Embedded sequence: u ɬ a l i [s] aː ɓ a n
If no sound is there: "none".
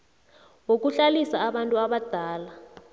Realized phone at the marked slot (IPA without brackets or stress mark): s